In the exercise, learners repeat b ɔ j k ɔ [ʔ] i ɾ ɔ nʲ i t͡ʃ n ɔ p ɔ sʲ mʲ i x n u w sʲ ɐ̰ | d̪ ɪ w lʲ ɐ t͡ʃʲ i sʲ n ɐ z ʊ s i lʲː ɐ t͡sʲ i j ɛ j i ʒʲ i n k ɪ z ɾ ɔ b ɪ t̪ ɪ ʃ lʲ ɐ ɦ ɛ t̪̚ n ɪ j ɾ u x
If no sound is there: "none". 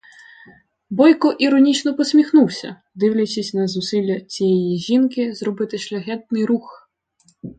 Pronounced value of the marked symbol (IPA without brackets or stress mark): ʔ